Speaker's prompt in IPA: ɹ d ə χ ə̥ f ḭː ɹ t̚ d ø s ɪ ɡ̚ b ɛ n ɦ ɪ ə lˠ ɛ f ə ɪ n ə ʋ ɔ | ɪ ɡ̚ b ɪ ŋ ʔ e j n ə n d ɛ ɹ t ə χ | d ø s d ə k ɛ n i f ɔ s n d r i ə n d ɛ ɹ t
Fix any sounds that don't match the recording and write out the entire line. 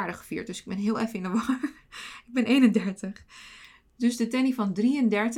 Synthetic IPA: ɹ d ə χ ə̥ f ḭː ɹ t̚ d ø s ɪ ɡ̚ b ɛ n ɦ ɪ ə lˠ ɛ f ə ɪ n ə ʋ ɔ | ɪ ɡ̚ b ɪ n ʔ e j n ə n d ɛ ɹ t ə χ | d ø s d ə t ɛ n i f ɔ n d r i ə n d ɛ ɹ t